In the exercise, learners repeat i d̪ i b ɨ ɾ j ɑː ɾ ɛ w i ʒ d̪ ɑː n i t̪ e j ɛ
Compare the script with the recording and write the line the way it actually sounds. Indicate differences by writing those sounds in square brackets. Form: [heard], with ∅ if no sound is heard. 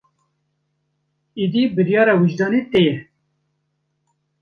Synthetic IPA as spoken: i d̪ i b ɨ ɾ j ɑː ɾ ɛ w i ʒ d̪ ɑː n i t̪ e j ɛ